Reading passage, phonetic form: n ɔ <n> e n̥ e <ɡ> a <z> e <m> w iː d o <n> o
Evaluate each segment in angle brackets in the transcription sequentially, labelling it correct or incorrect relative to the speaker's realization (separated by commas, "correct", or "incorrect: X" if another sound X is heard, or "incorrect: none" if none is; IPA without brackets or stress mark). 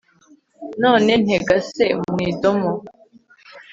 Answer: correct, correct, incorrect: s, correct, incorrect: m